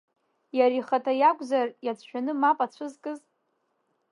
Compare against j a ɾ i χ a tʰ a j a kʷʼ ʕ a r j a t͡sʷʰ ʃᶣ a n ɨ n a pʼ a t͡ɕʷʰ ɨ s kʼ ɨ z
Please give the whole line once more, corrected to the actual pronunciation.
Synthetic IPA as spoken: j a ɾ i χ a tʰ a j a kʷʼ z a r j a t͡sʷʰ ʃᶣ a n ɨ m a pʼ a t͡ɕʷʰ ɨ z kʼ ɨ z